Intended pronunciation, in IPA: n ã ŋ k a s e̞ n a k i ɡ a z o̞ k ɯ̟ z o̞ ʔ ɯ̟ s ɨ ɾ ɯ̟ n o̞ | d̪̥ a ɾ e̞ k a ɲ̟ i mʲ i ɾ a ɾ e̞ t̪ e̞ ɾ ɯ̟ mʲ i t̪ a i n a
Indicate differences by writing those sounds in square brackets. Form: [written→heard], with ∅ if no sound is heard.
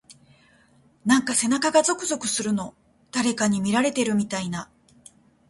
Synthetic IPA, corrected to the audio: n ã ŋ k a s e̞ n a k [i→a] ɡ a z o̞ k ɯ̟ z o̞ [ʔ→k] ɯ̟ s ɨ ɾ ɯ̟ n o̞ | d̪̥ a ɾ e̞ k a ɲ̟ i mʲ i ɾ a ɾ e̞ t̪ e̞ ɾ ɯ̟ mʲ i t̪ a i n a